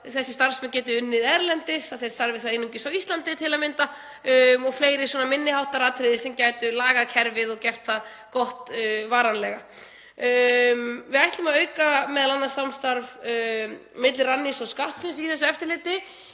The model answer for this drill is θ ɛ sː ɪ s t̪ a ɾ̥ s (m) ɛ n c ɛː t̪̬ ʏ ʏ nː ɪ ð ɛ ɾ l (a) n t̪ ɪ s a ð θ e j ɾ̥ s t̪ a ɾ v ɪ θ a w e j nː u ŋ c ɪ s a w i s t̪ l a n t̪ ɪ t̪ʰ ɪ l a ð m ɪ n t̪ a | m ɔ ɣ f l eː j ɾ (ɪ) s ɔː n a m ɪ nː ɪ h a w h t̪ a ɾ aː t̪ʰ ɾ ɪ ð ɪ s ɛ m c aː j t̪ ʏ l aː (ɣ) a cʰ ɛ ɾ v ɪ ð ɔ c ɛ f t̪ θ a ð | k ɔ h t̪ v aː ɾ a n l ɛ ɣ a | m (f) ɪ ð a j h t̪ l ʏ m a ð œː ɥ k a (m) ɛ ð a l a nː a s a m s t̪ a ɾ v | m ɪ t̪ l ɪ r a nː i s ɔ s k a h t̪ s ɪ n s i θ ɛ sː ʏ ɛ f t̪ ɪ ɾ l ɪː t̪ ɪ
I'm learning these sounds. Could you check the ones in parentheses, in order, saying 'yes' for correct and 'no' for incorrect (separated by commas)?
yes, no, yes, yes, no, yes